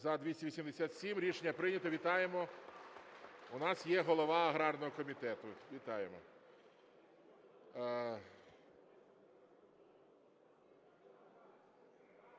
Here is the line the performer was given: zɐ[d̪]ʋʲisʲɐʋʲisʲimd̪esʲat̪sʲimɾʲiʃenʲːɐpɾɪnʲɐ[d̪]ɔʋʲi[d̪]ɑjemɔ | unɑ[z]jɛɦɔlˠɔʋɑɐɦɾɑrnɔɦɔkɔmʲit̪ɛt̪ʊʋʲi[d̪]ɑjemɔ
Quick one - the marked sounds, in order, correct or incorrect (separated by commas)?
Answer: correct, incorrect, incorrect, incorrect, incorrect